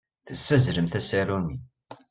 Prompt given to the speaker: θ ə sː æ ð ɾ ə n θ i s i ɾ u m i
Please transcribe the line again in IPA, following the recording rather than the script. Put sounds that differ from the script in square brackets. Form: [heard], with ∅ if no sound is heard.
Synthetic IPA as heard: θ ə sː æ [z] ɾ ə [m] θ [æ] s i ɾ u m i